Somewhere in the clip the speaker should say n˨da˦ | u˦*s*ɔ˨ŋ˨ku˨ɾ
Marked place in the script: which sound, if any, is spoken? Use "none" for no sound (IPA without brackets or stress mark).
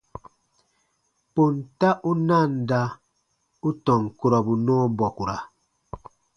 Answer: t